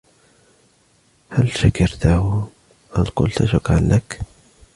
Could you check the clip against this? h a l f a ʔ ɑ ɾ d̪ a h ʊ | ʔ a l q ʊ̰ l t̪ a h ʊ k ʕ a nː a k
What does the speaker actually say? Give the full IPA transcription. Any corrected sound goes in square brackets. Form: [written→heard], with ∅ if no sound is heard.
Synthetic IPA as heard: h a l [f→ʃ] a [ʔ→k] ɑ ɾ [d̪→t̪] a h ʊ | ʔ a l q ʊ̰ l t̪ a [h→ʃ] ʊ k ʕ a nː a k